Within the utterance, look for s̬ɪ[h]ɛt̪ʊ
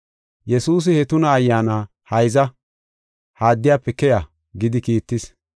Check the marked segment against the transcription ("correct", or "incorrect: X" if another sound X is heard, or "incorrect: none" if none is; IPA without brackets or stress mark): correct